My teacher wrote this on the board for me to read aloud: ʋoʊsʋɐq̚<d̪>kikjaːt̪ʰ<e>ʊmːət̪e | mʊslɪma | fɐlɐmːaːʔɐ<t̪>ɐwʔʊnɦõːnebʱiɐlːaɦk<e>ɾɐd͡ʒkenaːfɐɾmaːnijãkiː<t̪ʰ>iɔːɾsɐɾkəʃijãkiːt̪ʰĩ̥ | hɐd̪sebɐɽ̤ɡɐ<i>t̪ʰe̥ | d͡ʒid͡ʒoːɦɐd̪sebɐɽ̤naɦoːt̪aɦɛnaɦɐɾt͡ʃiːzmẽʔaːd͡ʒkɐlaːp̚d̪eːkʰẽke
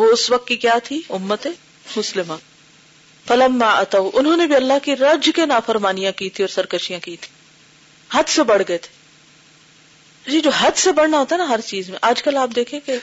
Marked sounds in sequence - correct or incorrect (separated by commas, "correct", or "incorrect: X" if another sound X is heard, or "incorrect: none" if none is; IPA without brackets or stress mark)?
incorrect: t̪, incorrect: i, correct, incorrect: i, correct, incorrect: e